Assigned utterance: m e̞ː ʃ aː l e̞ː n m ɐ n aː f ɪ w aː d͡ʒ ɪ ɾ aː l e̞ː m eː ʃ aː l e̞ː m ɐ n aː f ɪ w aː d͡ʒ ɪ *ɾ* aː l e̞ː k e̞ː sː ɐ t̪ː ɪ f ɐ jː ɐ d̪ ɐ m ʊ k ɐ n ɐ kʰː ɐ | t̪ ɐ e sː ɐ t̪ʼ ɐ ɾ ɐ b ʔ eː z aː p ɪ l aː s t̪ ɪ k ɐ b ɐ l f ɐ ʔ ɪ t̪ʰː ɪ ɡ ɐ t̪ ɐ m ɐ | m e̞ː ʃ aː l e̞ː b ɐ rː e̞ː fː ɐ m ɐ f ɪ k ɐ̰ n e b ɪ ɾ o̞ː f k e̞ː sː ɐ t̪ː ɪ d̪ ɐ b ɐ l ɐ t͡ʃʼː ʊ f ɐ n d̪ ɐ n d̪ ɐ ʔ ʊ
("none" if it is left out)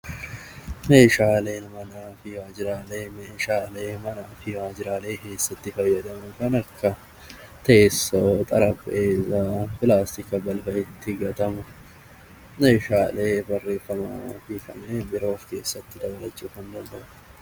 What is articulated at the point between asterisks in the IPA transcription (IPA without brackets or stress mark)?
ɾ